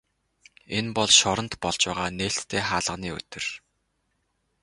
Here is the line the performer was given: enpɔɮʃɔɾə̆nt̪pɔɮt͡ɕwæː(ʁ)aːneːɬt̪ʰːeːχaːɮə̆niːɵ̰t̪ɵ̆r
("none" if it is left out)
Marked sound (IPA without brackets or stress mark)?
ʁ